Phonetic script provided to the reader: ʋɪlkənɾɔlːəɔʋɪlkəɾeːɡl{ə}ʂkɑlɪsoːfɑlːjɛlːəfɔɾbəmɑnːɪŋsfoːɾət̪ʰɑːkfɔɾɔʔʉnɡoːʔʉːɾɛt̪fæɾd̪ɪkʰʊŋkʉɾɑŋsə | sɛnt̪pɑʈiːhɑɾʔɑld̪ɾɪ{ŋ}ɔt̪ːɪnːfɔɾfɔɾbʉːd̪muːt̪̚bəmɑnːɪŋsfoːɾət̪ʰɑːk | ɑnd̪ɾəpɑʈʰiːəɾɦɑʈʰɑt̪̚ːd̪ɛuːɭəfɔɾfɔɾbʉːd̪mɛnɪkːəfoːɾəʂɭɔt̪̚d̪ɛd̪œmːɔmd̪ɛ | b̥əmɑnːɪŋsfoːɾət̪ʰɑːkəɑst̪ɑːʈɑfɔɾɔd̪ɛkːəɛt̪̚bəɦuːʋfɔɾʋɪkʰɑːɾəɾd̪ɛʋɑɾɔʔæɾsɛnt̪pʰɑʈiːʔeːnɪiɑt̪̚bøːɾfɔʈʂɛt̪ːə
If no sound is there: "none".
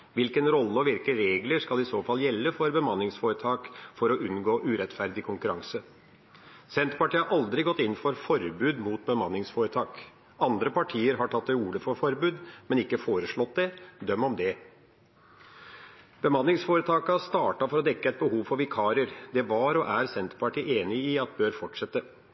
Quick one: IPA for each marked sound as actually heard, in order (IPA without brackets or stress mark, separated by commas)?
ə, ɡ